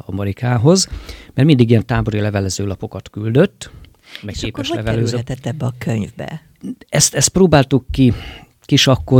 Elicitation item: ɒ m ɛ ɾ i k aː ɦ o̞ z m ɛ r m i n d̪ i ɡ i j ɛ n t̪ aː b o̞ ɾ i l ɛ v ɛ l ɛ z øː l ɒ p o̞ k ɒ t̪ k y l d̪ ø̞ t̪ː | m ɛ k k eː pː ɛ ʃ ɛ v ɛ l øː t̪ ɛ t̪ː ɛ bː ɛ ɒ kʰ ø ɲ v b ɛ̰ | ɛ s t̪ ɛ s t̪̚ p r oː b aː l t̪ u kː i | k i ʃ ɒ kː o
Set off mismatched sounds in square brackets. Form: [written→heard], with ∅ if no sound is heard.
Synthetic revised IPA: ɒ m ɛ ɾ i k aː ɦ o̞ z m ɛ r m i n d̪ i ɡ i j ɛ n t̪ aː b o̞ ɾ i l ɛ v ɛ l ɛ z øː l ɒ p o̞ k ɒ t̪ k y l d̪ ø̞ t̪ː | m ɛ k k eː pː ɛ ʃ ɛ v ɛ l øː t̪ ɛ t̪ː ɛ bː ɛ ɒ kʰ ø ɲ v b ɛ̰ | ɛ s t̪ ɛ s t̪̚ p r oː b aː l t̪ u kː i | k i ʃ ɒ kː o